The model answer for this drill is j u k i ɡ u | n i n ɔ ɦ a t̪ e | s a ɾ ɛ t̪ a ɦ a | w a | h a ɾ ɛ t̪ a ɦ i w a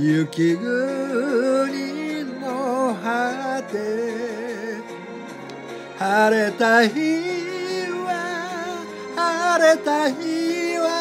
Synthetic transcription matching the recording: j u k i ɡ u | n i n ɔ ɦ a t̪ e | h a ɾ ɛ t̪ a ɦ i | w a | h a ɾ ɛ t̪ a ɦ i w a